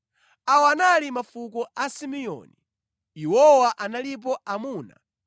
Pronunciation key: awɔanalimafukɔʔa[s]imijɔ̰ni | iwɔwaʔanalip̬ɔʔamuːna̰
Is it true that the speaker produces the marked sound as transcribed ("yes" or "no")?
yes